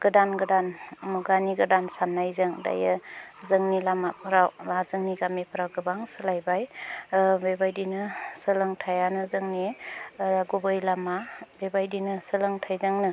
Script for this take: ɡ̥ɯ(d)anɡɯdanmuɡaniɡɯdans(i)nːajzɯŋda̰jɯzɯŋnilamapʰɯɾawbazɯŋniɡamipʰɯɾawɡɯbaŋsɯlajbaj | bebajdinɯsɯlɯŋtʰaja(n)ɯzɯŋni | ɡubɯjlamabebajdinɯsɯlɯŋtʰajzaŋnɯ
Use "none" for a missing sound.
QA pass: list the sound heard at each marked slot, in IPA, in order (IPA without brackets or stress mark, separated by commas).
d, a, n